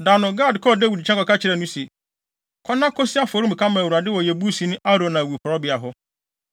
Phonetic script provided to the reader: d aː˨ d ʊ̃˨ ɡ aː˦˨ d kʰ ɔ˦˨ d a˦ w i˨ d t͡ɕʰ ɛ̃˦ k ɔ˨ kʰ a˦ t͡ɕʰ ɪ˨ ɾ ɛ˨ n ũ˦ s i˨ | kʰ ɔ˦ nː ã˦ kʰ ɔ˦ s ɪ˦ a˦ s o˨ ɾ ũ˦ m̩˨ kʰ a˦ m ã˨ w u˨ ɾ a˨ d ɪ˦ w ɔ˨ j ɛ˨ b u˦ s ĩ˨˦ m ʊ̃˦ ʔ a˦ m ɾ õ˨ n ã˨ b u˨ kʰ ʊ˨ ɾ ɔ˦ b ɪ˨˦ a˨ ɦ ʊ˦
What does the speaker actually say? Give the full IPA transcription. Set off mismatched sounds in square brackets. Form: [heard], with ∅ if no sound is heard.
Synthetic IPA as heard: d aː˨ [n] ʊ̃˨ ɡ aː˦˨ d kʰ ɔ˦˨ d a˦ w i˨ d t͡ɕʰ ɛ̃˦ k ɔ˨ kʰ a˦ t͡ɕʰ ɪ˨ ɾ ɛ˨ n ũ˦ s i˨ | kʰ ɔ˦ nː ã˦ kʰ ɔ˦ s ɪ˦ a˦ [f] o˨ ɾ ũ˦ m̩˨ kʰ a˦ m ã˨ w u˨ ɾ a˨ d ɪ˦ w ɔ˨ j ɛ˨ b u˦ s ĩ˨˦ [n] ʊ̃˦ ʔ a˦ [∅] ɾ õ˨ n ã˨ [w] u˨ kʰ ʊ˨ ɾ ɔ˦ b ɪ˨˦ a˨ ɦ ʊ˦